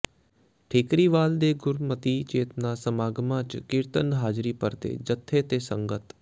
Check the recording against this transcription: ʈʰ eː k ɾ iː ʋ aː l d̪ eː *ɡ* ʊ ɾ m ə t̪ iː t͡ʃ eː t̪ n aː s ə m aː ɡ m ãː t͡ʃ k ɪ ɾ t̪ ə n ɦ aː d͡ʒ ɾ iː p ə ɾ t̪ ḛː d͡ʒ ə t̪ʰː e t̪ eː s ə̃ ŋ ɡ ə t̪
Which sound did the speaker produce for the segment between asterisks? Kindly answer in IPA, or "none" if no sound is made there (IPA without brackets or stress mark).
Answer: ɡ